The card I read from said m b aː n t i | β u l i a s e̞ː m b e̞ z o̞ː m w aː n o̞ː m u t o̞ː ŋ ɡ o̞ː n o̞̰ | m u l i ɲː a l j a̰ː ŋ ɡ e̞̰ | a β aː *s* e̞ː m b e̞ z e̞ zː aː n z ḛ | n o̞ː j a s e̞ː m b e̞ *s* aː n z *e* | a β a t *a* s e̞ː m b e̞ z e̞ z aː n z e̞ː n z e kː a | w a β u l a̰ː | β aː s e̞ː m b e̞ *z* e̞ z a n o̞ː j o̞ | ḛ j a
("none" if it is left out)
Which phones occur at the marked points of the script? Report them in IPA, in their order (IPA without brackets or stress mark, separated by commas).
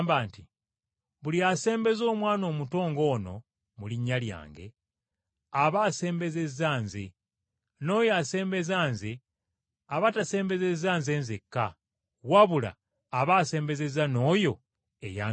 s, z, e, a, z